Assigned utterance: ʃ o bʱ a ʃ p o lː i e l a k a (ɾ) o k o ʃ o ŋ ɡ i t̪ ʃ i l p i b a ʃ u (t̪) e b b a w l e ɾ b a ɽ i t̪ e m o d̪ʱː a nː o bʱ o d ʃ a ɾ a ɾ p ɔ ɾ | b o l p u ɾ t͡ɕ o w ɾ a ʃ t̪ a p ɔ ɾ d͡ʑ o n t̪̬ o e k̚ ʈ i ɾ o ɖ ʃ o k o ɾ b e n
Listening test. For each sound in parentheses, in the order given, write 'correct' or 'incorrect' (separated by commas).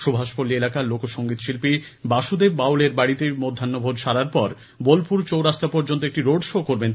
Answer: incorrect, incorrect